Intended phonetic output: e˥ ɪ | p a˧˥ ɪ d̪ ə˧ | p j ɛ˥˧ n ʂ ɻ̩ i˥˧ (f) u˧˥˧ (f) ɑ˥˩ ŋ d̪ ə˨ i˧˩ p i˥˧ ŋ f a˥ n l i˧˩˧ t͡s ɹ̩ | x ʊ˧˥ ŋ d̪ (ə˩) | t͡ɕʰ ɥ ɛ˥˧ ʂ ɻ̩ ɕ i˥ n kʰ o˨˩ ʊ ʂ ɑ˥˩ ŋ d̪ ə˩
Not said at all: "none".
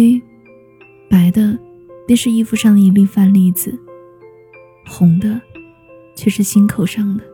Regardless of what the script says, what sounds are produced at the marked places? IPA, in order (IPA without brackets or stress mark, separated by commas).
f, ʂ, ə˧